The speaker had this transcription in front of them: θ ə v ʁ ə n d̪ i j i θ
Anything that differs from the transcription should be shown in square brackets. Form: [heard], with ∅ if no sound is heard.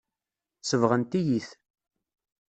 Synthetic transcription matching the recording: [s] ə v ʁ ə n [t̪] i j i θ